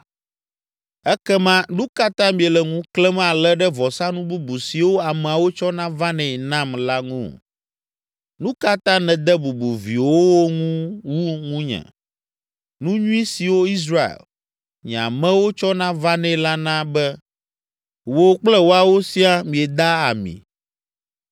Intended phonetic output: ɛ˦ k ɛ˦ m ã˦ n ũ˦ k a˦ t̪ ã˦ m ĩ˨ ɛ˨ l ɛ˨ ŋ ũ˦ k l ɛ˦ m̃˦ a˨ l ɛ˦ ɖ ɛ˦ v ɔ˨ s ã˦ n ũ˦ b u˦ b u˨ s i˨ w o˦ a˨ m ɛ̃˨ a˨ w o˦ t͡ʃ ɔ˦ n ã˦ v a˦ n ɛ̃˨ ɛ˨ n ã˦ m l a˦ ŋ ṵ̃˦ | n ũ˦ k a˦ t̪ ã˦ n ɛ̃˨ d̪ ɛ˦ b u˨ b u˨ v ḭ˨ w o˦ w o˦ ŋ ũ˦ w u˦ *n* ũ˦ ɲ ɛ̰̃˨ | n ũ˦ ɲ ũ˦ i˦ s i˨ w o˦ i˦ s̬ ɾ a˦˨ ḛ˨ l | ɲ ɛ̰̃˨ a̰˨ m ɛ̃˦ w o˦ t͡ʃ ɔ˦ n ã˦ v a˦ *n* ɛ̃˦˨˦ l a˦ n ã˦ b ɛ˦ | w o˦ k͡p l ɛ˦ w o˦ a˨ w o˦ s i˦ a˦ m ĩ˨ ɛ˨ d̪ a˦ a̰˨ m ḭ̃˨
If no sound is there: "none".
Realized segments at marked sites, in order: ŋ, n

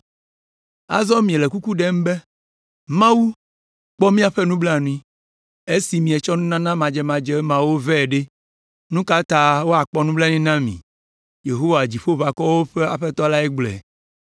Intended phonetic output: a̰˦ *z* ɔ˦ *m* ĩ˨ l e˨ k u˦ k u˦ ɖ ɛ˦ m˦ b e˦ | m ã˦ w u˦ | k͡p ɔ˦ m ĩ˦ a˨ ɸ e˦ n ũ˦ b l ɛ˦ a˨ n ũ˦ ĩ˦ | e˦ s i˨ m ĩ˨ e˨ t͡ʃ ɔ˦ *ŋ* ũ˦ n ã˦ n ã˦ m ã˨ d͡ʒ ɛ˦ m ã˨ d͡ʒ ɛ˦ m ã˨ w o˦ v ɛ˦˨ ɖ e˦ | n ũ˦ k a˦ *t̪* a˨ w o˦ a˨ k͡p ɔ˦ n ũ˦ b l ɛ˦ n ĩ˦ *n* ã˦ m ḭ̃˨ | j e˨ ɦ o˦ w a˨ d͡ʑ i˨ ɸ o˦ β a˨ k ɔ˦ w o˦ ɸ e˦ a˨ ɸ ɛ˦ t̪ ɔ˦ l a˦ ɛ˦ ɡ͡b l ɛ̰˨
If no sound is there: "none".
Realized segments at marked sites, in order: z, m, n, t̪, n

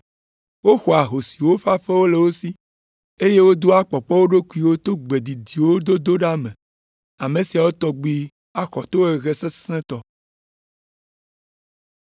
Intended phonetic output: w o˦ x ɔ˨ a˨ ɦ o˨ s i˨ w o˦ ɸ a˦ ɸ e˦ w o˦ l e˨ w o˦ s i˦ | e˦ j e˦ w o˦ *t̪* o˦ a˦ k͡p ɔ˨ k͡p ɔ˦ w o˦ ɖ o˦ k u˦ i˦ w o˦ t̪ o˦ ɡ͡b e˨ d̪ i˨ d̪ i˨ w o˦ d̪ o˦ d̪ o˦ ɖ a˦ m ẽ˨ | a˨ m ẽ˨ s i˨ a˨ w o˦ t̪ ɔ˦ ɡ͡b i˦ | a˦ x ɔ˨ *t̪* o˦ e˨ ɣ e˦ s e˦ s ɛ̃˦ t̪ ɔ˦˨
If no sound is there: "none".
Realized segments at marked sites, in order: d̪, t̪

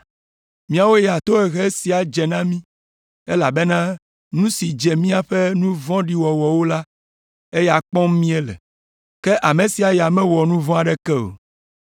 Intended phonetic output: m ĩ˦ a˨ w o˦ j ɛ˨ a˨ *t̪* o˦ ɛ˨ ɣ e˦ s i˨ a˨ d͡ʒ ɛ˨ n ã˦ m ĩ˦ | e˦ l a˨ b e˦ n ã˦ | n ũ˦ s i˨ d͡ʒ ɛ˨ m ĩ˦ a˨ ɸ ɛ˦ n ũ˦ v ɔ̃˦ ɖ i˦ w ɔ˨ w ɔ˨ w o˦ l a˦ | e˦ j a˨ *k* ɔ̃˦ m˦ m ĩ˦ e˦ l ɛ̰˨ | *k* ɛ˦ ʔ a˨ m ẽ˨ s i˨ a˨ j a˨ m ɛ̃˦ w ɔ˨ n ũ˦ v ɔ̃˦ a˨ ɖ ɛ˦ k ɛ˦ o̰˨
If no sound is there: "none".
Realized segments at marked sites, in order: t̪, k͡p, k

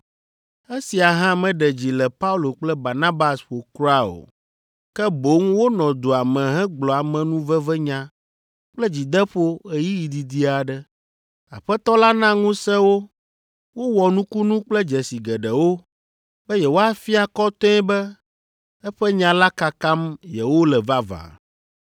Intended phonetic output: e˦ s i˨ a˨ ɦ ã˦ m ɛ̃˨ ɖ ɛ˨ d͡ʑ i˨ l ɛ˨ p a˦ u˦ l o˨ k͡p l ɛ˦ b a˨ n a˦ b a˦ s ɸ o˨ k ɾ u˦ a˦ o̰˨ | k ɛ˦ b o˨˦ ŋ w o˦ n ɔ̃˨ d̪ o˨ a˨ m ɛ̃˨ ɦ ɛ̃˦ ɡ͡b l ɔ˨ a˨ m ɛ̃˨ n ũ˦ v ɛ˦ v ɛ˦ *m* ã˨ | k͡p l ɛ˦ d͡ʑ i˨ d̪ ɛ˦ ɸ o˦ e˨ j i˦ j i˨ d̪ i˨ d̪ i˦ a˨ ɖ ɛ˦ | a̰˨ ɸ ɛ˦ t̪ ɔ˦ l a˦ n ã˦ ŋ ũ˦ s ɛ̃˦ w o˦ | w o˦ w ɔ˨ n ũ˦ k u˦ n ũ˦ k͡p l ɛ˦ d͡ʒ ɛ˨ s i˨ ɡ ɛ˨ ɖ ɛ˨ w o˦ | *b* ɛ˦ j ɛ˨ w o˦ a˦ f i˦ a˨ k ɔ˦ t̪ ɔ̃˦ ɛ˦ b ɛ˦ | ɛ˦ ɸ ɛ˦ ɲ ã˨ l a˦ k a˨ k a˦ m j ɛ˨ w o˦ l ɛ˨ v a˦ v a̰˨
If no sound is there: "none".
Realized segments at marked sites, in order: ɲ, b

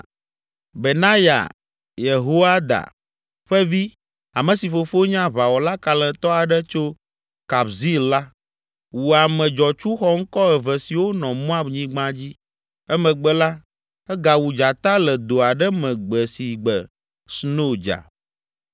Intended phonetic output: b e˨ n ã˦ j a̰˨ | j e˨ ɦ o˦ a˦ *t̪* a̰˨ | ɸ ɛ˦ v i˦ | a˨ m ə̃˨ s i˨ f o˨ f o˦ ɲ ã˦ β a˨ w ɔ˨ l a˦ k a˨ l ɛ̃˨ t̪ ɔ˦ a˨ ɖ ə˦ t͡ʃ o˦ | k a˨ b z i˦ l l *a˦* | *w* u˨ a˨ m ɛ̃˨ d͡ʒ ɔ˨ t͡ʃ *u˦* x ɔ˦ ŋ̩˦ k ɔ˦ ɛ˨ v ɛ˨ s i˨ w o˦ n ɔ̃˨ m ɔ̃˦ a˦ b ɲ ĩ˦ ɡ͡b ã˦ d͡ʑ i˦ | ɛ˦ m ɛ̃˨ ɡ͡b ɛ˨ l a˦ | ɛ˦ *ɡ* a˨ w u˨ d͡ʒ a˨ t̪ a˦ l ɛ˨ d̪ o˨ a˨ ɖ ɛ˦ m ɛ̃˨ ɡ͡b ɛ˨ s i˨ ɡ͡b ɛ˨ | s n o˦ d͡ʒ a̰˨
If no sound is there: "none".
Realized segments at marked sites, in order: d̪, a˦, w, u˦, ɡ

